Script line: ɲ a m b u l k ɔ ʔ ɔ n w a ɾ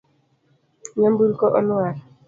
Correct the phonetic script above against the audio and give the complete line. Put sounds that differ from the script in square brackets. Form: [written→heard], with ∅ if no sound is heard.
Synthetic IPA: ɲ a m b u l k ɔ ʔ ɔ n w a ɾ